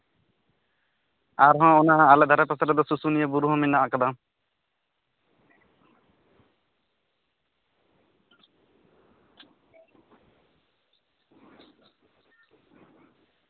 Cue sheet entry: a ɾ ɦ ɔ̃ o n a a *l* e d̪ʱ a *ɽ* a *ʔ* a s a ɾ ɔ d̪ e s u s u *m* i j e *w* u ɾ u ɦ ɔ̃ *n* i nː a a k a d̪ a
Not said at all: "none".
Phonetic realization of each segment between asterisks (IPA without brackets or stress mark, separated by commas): l, ɾ, p, n, b, m